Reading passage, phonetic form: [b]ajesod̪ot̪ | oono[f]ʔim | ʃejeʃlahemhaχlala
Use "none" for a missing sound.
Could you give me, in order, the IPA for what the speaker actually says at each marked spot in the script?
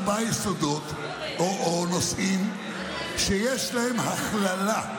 b, s

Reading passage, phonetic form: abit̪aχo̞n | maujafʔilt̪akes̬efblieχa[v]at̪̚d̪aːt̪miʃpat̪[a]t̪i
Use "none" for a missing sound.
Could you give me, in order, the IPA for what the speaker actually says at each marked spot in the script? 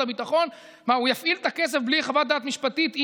v, i

